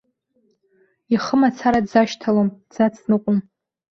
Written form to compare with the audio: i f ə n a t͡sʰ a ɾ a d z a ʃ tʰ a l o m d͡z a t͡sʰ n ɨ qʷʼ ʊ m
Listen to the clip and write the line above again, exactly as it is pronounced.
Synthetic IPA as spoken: i χ ə m a t͡sʰ a ɾ a d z a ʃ tʰ a l o m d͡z a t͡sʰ n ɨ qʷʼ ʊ m